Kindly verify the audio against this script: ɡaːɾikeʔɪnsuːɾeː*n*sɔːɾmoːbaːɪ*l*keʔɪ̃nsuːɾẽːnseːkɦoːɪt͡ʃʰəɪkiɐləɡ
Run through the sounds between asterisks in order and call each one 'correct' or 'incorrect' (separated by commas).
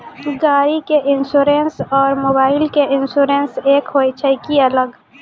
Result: correct, correct